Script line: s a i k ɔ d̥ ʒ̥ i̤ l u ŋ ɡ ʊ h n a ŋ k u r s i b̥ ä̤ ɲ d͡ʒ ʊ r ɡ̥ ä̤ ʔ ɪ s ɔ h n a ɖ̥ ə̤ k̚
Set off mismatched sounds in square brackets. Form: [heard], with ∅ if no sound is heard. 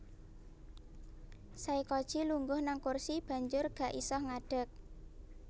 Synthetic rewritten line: s a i k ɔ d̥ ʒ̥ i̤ l u ŋ ɡ ʊ h n a ŋ k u r s i b̥ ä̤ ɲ d͡ʒ ʊ r ɡ̥ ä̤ ʔ [i] s ɔ h [ŋ] a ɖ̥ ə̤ k̚